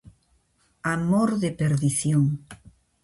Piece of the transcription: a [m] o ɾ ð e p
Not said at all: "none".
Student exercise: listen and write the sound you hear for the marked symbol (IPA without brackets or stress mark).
m